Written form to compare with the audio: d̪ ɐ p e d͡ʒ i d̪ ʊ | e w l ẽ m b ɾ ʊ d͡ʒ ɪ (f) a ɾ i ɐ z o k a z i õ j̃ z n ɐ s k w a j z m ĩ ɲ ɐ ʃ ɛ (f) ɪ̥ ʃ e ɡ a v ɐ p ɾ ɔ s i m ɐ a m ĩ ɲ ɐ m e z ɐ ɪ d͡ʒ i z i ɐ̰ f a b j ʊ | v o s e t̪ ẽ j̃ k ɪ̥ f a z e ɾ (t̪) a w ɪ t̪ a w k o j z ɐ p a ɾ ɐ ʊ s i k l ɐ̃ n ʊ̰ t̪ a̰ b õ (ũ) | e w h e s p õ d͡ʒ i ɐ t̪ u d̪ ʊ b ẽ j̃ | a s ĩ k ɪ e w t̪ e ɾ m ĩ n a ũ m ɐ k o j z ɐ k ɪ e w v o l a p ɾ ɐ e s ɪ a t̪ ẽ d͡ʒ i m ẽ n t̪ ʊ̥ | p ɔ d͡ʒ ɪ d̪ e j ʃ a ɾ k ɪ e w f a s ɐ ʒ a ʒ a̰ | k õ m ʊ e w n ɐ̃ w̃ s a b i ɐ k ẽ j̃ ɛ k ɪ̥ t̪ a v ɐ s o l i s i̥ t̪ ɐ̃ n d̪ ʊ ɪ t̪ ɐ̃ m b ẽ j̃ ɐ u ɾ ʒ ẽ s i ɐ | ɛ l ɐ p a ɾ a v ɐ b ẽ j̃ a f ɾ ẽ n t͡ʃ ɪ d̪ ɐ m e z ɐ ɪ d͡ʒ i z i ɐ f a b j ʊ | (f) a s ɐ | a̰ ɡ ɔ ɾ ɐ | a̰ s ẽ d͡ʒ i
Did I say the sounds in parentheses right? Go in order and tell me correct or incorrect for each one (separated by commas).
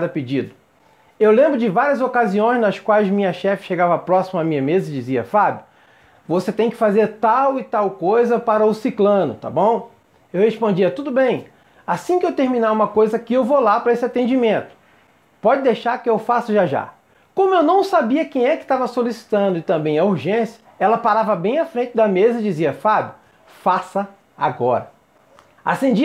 incorrect, correct, correct, incorrect, correct